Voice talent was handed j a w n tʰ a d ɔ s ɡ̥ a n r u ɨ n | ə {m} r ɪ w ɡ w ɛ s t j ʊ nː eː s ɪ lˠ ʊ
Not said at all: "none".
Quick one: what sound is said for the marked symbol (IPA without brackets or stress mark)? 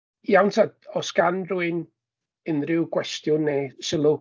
n